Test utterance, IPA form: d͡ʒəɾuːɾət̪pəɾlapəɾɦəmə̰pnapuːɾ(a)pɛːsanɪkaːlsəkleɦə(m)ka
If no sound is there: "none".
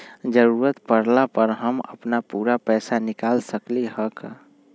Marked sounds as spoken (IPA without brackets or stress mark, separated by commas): a, none